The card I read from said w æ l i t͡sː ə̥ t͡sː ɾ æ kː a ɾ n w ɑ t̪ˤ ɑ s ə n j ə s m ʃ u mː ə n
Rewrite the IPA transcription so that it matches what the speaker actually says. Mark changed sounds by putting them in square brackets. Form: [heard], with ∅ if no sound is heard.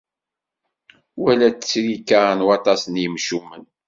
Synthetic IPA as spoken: w æ l [æ] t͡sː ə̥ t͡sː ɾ [i] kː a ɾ n w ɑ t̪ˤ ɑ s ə n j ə [∅] m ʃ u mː ə n